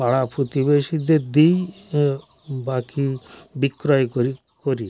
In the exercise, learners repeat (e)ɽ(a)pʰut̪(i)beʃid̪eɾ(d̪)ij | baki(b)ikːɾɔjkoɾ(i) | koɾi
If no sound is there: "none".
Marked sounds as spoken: a, a, i, d̪, b, i

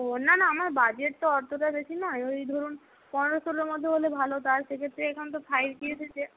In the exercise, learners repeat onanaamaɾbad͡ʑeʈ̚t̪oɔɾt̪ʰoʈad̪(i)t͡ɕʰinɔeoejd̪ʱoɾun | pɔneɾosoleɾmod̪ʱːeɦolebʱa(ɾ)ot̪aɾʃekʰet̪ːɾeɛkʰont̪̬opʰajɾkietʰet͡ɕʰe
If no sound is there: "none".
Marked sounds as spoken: e, l

